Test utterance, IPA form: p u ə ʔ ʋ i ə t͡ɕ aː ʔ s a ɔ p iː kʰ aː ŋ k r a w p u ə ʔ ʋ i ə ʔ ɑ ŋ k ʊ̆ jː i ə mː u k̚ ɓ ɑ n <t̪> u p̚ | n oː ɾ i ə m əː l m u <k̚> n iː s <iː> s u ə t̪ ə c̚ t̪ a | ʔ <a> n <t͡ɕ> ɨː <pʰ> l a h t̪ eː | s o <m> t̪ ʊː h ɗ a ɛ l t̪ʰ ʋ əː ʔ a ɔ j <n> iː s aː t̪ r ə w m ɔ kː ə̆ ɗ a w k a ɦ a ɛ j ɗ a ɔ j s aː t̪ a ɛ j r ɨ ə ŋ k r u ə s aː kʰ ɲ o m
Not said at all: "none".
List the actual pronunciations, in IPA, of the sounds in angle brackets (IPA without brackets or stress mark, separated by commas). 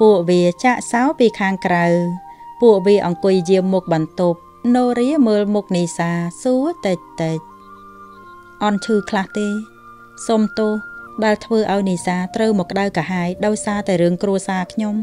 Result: t̪, k̚, aː, ɑ, t͡ɕʰ, kʰ, m, n